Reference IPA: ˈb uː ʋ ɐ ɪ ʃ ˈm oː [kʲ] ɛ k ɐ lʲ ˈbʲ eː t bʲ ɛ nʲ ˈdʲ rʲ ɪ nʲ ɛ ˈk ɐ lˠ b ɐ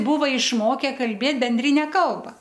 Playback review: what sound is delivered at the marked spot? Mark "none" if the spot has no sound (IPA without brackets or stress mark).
kʲ